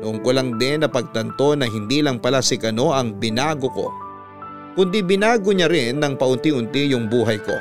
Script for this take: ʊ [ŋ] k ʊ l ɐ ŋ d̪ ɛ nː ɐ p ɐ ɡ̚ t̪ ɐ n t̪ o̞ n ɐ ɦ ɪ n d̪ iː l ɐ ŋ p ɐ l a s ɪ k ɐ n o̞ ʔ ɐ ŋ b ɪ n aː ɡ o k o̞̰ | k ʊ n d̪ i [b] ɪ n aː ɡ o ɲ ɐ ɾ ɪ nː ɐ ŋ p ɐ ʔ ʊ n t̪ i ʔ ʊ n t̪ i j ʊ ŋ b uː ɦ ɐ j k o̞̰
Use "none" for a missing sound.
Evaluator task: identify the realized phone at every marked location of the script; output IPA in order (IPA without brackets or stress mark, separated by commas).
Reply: ŋ, b